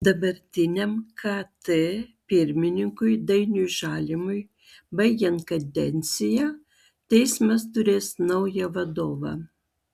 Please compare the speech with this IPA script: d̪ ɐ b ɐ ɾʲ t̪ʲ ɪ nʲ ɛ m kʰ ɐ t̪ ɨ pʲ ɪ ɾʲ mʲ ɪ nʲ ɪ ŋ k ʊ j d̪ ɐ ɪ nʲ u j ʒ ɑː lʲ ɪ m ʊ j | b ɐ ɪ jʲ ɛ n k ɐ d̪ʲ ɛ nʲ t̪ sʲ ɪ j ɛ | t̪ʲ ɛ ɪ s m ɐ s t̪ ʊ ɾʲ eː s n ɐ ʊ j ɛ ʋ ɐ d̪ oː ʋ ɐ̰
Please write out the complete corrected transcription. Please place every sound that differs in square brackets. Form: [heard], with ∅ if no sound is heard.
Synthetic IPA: d̪ ɐ b ɐ ɾʲ t̪ʲ ɪ nʲ ɛ m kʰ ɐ t̪ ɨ pʲ ɪ ɾʲ mʲ ɪ nʲ ɪ ŋ k ʊ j d̪ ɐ ɪ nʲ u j ʒ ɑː lʲ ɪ m ʊ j | b ɐ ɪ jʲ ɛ n k ɐ d̪ʲ ɛ nʲ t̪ sʲ ɪ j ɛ | t̪ʲ ɛ ɪ s m ɐ s t̪ ʊ ɾʲ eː s n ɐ ʊ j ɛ ʋ ɐ d̪ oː ʋ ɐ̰